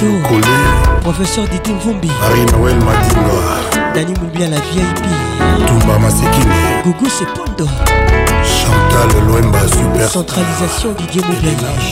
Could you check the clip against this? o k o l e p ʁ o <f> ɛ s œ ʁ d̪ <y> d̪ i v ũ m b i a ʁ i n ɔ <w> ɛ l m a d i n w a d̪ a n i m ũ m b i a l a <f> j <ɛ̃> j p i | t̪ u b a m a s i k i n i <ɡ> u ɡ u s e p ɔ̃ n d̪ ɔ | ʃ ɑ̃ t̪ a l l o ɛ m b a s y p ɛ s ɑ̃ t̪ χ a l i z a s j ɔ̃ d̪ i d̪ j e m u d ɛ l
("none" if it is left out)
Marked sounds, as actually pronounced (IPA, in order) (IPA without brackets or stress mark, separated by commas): f, i, w, v, ɛ, ɡ